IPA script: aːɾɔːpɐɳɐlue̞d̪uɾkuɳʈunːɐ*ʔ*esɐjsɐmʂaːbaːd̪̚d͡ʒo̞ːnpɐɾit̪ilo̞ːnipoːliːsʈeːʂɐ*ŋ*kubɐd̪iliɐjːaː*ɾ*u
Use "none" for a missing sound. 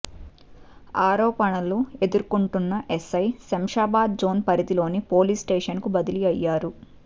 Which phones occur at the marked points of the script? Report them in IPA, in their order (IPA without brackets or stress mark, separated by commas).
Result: ʔ, n, ɾ